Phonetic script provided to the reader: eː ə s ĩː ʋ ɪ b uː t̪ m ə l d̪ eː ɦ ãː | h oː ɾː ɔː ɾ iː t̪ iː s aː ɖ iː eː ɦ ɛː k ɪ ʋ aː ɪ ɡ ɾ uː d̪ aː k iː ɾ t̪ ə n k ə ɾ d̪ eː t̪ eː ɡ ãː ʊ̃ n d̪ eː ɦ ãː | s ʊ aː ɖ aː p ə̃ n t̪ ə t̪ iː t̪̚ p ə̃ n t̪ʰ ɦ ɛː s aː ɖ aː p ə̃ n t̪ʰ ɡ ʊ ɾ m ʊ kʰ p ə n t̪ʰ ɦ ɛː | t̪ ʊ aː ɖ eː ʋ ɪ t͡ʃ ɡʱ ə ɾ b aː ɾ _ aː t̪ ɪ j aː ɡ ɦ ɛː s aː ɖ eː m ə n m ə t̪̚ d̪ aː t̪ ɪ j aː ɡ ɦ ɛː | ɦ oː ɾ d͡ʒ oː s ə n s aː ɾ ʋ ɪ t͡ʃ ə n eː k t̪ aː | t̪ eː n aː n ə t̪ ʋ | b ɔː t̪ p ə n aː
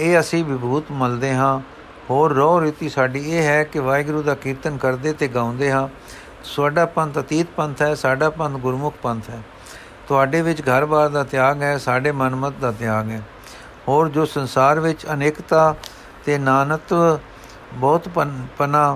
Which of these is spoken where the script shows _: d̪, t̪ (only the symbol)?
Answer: d̪